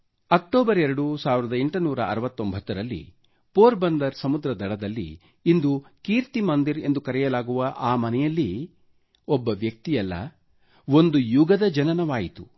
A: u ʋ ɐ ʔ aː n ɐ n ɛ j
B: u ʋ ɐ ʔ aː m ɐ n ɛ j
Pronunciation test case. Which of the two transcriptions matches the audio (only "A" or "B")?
B